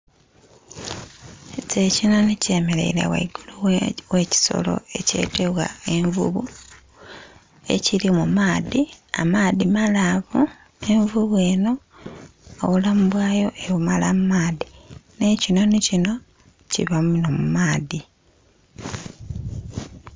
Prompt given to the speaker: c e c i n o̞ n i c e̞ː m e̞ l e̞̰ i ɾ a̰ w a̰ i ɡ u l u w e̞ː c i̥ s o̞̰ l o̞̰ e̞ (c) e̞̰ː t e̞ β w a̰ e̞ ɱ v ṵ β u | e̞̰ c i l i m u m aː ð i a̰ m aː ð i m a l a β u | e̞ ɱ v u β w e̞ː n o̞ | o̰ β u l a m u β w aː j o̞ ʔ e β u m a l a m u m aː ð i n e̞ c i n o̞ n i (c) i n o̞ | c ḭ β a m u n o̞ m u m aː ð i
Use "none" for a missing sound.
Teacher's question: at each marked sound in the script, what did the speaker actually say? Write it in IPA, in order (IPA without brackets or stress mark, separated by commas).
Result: c, c